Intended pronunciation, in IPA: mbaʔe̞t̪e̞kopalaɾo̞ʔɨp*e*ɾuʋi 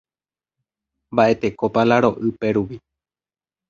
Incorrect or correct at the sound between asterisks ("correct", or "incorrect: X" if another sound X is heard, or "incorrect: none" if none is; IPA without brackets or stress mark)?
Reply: correct